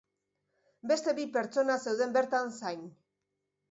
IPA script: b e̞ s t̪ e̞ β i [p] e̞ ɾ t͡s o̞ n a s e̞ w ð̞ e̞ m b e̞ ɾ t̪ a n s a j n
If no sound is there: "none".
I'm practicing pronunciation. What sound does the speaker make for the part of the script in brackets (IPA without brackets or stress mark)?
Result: p